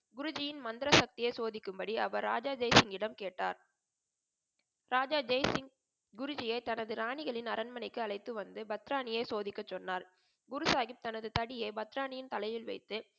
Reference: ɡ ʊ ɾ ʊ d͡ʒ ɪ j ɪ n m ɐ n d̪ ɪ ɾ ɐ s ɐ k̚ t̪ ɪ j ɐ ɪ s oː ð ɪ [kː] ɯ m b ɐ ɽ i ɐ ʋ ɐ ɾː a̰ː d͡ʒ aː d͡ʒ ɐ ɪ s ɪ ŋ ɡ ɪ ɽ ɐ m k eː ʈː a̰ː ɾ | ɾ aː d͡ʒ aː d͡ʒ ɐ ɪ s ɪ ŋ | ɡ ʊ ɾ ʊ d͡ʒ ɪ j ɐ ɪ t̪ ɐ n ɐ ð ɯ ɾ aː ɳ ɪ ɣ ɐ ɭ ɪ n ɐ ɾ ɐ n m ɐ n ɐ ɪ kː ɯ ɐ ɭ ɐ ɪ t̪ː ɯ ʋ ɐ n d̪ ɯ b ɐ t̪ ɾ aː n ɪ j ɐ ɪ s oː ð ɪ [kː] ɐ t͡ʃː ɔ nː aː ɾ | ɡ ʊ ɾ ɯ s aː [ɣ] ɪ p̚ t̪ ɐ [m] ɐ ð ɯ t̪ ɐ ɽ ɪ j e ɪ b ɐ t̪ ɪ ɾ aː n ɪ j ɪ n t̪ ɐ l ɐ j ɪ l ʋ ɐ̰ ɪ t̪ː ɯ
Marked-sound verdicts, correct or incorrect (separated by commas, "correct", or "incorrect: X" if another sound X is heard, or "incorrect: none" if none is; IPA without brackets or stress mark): correct, correct, correct, incorrect: n